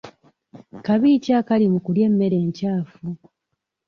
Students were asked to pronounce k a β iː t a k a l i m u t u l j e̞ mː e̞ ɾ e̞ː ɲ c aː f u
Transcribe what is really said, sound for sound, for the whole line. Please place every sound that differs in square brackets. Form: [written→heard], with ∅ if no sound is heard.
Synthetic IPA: k a β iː [t→c] a k a l i m u [t→k] u l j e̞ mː e̞ ɾ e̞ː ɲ c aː f u